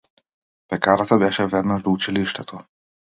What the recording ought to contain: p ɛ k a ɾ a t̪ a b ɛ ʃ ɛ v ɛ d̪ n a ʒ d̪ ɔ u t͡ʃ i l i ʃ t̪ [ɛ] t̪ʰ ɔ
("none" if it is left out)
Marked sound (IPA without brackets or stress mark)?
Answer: ɛ